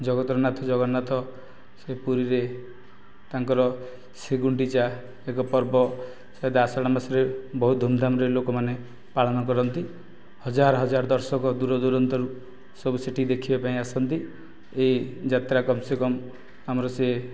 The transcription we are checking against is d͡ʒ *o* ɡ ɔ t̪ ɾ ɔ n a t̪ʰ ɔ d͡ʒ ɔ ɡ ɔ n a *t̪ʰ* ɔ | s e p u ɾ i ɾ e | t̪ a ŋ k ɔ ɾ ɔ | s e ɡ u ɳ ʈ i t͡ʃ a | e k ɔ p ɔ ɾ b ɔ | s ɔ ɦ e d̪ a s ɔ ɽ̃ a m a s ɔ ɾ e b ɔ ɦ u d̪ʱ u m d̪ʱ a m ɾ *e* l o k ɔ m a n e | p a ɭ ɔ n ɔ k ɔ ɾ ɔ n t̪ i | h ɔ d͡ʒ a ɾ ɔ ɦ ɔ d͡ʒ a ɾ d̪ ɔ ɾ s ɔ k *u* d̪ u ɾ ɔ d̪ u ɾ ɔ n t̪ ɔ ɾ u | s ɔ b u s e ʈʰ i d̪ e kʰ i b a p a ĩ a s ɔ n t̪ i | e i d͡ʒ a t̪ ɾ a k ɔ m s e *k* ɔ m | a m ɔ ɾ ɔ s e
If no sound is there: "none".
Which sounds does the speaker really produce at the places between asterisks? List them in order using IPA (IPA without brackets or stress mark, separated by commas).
ɔ, t̪ʰ, e, ɔ, k